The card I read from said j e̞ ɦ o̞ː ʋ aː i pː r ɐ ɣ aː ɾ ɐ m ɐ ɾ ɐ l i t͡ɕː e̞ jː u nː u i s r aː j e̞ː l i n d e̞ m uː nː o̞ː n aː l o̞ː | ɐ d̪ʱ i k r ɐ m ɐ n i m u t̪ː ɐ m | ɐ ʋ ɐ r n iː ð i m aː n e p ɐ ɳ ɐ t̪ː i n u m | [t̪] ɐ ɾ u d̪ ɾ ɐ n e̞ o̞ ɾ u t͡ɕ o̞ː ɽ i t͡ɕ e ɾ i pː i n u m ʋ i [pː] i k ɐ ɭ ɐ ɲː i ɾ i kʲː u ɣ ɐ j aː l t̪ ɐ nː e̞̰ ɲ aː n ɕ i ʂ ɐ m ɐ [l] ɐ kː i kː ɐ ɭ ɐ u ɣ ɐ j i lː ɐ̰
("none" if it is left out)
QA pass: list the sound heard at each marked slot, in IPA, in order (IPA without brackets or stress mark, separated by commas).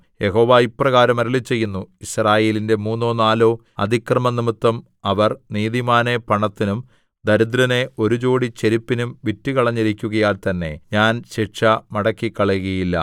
d̪, tː, ɽ